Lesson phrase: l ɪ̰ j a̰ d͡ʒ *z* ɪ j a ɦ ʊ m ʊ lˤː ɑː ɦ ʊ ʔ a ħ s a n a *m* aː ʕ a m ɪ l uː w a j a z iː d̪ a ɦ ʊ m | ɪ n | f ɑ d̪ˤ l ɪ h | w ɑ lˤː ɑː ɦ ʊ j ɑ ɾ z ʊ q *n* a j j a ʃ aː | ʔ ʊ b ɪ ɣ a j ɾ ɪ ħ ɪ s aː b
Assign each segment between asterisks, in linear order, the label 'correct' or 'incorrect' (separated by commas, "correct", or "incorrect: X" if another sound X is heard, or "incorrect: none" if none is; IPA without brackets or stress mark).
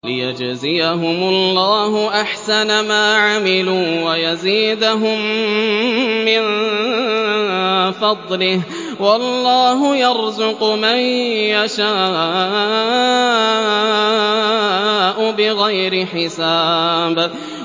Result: correct, correct, incorrect: m